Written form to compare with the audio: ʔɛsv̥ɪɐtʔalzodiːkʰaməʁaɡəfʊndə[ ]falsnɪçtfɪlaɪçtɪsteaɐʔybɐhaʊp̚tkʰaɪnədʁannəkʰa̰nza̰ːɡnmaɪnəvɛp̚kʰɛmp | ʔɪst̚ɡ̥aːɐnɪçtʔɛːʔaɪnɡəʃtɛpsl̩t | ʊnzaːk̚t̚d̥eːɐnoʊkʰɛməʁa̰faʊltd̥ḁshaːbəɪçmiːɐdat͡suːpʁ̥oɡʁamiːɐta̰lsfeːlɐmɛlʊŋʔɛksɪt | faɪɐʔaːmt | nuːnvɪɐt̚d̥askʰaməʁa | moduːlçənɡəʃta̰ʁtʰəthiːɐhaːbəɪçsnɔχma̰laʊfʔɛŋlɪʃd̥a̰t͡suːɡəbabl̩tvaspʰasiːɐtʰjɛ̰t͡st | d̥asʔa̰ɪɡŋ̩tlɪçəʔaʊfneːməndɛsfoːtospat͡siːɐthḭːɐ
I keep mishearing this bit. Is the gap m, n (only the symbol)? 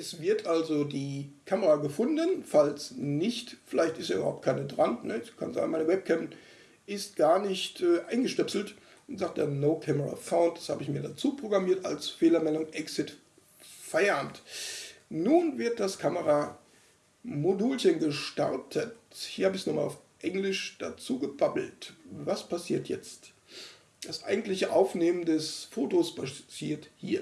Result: n